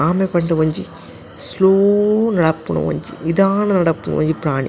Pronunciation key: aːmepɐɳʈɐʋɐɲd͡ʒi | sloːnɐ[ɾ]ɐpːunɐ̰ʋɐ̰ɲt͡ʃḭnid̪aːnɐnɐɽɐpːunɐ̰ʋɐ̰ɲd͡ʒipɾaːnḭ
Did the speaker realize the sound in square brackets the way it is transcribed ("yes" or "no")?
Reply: no